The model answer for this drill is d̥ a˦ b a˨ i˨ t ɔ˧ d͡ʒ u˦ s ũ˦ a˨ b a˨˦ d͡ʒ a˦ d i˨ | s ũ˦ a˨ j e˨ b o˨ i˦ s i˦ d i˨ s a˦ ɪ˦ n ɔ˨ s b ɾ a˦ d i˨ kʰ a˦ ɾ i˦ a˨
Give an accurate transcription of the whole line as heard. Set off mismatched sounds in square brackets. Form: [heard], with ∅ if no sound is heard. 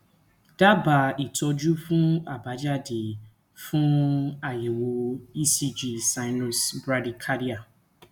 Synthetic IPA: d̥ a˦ b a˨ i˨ t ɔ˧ d͡ʒ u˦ [f] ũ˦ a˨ b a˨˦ d͡ʒ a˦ d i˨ | [f] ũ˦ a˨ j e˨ [w] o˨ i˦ s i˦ [d͡ʒ] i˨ s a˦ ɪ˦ n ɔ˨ s b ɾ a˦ d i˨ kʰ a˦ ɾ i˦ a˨